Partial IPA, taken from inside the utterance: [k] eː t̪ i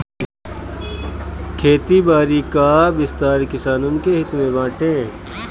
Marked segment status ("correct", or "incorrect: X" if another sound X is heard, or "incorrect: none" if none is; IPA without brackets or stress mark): incorrect: kʰ